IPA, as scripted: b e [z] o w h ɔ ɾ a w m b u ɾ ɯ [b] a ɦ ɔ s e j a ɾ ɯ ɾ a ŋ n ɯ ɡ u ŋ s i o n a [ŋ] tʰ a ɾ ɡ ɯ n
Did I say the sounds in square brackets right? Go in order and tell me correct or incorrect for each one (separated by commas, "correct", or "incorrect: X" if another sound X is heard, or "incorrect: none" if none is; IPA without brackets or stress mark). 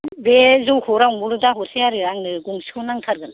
correct, incorrect: d, correct